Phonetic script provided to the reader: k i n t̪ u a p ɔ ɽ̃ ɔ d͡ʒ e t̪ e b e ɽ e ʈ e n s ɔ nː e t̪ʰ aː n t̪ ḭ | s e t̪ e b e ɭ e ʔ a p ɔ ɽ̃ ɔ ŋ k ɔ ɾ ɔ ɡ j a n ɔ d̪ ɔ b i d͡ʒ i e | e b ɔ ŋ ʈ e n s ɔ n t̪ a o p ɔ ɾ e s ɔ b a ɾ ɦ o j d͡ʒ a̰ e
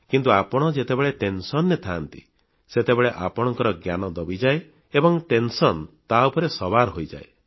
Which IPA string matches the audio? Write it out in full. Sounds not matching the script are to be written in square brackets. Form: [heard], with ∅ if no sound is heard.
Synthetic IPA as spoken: k i n t̪ u a p ɔ ɽ̃ ɔ d͡ʒ e t̪ e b e [ɭ] e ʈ e n s ɔ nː e t̪ʰ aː n t̪ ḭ | s e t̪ e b e ɭ e ʔ a p ɔ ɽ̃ ɔ ŋ k ɔ ɾ ɔ ɡ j a n ɔ d̪ ɔ b i d͡ʒ [a] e | e b ɔ ŋ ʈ e n s ɔ n t̪ a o p ɔ ɾ e s ɔ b a ɾ ɦ o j d͡ʒ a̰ e